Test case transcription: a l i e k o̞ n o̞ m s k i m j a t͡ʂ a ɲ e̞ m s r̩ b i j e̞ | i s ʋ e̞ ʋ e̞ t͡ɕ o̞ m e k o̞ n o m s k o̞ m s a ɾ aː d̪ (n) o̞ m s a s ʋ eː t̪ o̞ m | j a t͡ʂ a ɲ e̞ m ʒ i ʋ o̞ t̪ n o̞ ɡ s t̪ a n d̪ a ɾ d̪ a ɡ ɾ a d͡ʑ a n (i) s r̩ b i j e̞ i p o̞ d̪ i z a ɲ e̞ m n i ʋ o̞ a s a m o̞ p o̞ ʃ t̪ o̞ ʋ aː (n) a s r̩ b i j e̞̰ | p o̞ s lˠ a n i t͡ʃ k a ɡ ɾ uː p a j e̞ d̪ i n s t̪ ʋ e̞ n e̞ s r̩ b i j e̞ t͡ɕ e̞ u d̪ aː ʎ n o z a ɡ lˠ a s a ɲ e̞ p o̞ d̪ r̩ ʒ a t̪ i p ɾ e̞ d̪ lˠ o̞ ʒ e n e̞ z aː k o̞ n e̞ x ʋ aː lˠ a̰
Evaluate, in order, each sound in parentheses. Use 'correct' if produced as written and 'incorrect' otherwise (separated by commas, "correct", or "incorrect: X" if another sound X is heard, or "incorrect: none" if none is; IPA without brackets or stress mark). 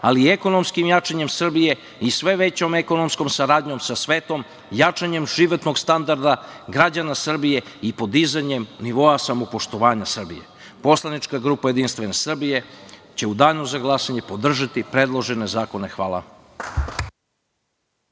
incorrect: ɲ, incorrect: a, incorrect: ɲ